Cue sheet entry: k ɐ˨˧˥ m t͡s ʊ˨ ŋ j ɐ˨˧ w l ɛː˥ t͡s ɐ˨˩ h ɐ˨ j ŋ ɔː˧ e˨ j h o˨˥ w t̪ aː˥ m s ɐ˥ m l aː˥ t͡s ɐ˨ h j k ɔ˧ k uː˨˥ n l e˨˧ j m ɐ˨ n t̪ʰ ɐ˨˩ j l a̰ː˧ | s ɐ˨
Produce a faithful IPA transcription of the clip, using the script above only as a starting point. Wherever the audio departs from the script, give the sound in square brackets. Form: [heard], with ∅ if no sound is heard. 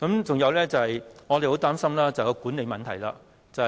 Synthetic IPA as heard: k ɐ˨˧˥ m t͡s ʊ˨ ŋ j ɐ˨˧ w l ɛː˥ t͡s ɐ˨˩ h ɐ˨ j ŋ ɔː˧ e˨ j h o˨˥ w t̪ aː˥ m s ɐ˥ m l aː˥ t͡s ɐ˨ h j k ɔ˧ k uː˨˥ n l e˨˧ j m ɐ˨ n t̪ʰ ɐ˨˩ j l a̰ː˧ | [t͡s] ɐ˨